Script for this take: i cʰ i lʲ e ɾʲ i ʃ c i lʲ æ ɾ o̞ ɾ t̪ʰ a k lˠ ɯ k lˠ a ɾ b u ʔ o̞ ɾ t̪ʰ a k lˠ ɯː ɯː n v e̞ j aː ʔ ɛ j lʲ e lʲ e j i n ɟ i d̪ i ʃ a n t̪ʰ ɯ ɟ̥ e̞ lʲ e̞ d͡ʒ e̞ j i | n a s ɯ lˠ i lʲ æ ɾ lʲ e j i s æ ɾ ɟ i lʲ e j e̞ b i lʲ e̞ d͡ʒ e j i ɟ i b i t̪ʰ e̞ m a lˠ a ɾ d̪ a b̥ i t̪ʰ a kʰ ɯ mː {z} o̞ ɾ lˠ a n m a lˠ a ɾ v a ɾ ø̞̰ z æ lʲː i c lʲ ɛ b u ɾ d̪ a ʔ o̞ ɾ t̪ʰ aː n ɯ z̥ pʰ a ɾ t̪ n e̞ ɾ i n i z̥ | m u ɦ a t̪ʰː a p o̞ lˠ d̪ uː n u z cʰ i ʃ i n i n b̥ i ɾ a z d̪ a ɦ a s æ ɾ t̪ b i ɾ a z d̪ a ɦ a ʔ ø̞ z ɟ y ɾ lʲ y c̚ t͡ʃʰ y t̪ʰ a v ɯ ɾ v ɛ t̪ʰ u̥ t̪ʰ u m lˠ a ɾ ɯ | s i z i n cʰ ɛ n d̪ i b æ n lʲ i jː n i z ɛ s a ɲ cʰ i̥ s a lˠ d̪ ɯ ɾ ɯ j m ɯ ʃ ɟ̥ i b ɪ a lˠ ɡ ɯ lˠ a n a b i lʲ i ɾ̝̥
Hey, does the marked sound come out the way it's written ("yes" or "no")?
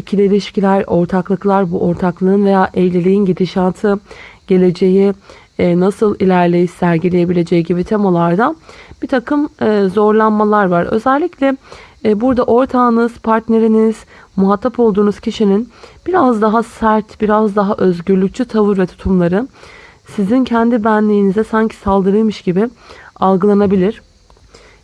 yes